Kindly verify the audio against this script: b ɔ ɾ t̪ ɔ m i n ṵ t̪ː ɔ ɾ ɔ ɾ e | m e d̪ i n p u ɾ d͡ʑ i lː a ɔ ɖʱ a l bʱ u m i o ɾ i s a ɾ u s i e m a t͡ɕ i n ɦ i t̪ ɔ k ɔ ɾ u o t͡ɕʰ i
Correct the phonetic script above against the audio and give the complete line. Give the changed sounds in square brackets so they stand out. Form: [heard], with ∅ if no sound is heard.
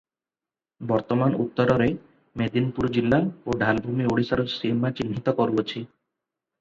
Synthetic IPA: b ɔ ɾ t̪ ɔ m [a] n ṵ t̪ː ɔ ɾ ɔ ɾ e | m e d̪ i n p u ɾ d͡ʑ i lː a [o] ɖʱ a l bʱ u m i o [ɽ] i s a ɾ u s i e m a t͡ɕ i n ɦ i t̪ ɔ k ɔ ɾ u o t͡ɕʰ i